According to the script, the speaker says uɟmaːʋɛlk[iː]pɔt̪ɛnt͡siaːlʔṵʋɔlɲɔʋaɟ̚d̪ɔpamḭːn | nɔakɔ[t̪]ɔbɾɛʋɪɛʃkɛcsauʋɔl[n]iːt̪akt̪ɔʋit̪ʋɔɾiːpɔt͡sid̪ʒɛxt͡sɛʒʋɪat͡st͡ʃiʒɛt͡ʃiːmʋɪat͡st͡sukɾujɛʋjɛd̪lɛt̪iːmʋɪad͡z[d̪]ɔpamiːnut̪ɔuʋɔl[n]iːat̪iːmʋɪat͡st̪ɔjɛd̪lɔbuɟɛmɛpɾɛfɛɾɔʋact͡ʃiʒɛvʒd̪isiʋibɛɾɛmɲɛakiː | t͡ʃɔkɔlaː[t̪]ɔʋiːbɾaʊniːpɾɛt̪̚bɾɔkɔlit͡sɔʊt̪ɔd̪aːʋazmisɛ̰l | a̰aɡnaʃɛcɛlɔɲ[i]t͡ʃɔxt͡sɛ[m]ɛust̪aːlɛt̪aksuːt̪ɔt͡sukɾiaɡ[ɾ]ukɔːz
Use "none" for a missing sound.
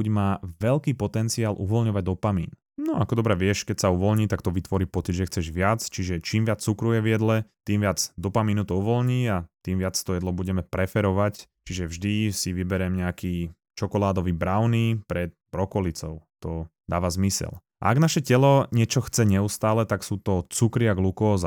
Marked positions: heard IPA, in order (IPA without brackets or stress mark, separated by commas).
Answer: iː, d̪, ɲ, d̪, ɲ, d̪, ɛ, ɲ, l